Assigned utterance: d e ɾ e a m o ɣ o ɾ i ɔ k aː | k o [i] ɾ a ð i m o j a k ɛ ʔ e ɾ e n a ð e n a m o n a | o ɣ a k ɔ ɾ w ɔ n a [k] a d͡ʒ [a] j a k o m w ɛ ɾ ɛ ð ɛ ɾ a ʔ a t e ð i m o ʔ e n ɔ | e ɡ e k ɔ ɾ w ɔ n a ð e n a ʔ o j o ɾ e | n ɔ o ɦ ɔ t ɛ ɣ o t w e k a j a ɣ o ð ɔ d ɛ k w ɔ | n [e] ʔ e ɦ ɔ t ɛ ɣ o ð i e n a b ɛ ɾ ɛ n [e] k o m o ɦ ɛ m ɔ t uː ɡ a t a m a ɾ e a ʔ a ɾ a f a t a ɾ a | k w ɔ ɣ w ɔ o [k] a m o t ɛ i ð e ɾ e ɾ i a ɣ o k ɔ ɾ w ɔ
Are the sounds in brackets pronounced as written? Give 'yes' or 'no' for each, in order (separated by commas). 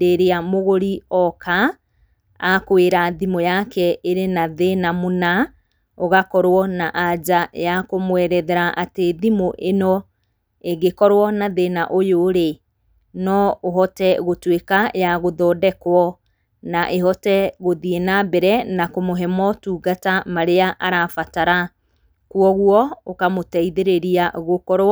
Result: no, no, yes, no, no, yes